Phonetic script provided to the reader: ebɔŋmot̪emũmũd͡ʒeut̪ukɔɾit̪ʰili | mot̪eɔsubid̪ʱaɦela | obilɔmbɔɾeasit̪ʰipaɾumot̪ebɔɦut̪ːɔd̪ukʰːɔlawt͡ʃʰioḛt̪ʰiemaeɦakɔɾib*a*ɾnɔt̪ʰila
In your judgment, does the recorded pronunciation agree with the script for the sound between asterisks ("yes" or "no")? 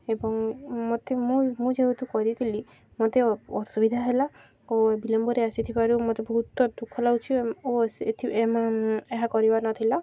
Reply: yes